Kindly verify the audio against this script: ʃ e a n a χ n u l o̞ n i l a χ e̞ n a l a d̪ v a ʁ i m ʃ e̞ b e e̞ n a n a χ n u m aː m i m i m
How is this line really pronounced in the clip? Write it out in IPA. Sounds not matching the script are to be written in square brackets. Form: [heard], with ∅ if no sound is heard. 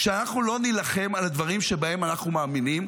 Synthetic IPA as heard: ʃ e a n a χ n u l o̞ n i l a χ e̞ [m] a l a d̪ v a ʁ i m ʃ e̞ b [a] e̞ [m] a n a χ n u m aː m i [n] i m

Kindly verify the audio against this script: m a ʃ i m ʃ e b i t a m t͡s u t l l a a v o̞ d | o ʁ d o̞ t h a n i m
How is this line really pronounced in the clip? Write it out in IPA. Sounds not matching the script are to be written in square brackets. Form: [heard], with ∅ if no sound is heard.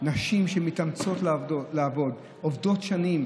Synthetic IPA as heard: [n] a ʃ i m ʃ e [m] i t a m t͡s [o] t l l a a v o̞ d | o [v] d o̞ t [ʃ] a n i m

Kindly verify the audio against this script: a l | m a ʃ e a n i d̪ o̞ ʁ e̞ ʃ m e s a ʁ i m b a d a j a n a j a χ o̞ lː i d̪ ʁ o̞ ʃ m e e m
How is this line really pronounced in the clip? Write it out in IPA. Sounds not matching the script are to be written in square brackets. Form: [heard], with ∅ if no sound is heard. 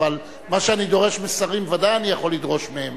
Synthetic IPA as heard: a l | m a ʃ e a n i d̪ o̞ ʁ e̞ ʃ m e s a ʁ i m [v] a d a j a n [i] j a χ o̞ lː i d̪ ʁ o̞ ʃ m e e m

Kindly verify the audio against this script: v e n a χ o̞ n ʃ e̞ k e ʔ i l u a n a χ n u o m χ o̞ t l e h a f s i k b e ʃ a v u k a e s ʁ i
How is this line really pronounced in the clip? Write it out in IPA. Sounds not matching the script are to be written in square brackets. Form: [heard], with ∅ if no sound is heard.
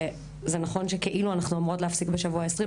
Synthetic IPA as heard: [z] e n a χ o̞ n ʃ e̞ k e ʔ i l u a n a χ n u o m [ʁ] o̞ t l e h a f s i k b e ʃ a v u [∅] a e s ʁ i

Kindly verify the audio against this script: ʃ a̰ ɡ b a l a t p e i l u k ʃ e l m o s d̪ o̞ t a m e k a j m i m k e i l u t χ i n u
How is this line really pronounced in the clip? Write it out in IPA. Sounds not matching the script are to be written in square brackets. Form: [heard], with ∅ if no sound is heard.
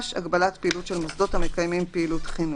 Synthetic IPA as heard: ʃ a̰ ɡ b a l a t p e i l u [t] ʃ e l m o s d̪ o̞ t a m e k a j m i m [p] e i l u t χ i n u

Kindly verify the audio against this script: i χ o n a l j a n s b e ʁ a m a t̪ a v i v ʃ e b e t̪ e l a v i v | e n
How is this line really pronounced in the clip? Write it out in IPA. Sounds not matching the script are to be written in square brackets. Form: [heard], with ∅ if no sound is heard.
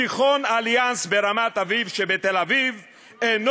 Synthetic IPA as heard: i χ o n a l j a n s b e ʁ a m a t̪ a v i v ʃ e b e t̪ e l a v i v | e n

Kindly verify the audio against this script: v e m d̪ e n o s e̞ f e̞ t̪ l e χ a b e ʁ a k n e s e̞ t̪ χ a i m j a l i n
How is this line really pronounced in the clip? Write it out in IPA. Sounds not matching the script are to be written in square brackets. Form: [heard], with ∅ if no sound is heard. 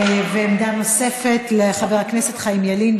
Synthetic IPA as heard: v e m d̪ [a] n o s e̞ f e̞ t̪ l e χ a [v] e ʁ a k n e s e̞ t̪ χ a i m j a l i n

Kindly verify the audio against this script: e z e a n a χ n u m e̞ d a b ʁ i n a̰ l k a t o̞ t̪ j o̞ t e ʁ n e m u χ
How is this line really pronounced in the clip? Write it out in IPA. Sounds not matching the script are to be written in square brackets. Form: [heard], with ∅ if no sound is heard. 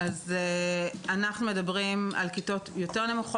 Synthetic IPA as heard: [a] z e a n a χ n u m e̞ d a b ʁ i [m] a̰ l k [i] t o̞ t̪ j o̞ t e ʁ n e m u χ

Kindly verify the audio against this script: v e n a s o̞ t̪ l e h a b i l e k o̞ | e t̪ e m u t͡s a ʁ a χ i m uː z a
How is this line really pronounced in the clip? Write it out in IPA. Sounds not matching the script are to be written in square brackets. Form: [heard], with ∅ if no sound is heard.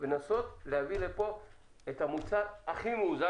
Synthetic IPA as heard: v e n a s o̞ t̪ l e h a [v] i l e [p] o̞ | e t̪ [a] m u t͡s a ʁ a χ i m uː z a

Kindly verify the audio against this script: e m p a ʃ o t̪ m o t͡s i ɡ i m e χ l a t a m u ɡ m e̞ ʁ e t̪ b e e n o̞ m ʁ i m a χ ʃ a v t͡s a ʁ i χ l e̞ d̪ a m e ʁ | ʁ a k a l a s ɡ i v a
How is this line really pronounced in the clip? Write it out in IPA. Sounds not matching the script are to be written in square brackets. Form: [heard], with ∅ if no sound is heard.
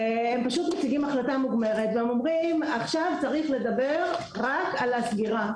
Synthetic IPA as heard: e m p a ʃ [u] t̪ m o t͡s i ɡ i m [a] χ l a t a m u ɡ m e̞ ʁ e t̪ [v] e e [m] o̞ m ʁ i m a χ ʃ a v t͡s a ʁ i χ l e̞ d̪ a [b] e ʁ | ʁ a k a l a s ɡ i [ʁ] a

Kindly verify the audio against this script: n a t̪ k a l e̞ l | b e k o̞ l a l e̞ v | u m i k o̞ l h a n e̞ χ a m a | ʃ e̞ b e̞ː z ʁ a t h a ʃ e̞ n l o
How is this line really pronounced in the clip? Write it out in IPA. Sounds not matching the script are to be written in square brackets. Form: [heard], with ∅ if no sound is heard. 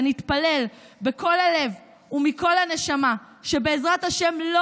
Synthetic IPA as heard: n [i] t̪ [p] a l e̞ l | b e k o̞ l a l e̞ v | u m i k o̞ l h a n e̞ [ʃ] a m a | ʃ e̞ b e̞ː z ʁ a t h a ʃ e̞ [m] l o

